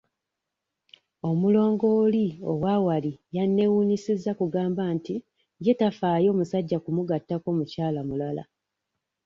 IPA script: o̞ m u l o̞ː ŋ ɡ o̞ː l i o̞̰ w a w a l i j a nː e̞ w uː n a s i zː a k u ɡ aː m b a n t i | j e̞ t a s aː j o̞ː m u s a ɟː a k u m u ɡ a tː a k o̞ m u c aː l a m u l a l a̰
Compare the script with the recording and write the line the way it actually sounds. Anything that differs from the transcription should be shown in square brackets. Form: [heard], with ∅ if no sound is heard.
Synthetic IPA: o̞ m u l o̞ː ŋ ɡ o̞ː l i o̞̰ w a w a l i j a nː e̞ w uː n [i] s i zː a k u ɡ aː m b a n t i | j e̞ t a [f] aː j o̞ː m u s a ɟː a k u m u ɡ a tː a k o̞ m u c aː l a m u l a l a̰